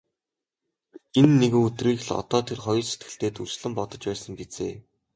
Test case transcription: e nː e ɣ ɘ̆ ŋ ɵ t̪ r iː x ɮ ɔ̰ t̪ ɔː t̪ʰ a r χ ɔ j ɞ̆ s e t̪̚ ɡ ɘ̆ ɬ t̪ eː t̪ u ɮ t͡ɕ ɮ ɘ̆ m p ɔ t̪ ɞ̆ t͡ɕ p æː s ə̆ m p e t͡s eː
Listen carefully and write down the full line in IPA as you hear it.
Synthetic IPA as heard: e nː e ɣ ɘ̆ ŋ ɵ t̪ r iː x ɮ ɔ̰ t̪ ɔː t̪ʰ e r χ ɔ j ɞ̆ s e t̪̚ ɡ ɘ̆ ɬ t̪ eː t̪ u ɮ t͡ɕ ɮ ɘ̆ m p ɔ t̪ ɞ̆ t͡ɕ p æː s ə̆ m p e t͡s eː

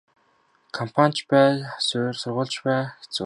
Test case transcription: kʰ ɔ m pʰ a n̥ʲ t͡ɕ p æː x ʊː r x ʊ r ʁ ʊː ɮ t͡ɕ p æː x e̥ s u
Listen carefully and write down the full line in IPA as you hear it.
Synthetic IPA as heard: kʰ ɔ m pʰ a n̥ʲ t͡ɕ p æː s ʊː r s ʊ r ʁ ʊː ɮ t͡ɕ p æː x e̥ t͡s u

